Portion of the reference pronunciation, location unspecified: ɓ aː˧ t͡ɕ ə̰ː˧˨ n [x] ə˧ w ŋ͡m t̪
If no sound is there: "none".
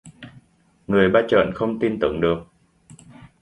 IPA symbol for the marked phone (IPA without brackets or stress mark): x